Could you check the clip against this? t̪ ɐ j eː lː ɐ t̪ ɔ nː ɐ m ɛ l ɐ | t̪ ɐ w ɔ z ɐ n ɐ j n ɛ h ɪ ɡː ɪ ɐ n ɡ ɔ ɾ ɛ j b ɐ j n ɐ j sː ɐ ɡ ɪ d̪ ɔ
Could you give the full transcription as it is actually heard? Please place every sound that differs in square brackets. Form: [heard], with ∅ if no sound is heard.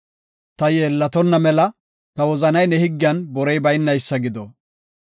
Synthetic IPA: t̪ ɐ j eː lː ɐ t̪ ɔ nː ɐ m ɛ l ɐ | t̪ ɐ w ɔ z ɐ n ɐ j n ɛ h ɪ ɡː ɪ ɐ n [b] ɔ ɾ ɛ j b ɐ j [nː] ɐ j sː ɐ ɡ ɪ d̪ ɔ

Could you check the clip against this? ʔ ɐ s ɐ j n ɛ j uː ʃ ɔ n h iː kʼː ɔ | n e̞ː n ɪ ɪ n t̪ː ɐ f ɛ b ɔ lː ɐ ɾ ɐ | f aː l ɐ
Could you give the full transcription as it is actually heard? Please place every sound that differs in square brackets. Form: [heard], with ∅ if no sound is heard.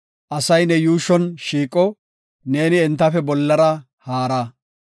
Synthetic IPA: ʔ ɐ s ɐ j n ɛ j uː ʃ ɔ n [ʃ] iː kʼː ɔ | n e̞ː n ɪ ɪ n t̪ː ɐ f ɛ b ɔ lː ɐ ɾ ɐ | [h] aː [ɾ] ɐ

